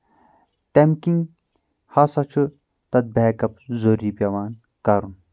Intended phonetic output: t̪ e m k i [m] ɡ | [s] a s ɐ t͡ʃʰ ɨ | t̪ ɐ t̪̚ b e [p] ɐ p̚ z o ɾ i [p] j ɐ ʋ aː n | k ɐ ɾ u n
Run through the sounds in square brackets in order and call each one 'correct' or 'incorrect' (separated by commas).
incorrect, incorrect, incorrect, correct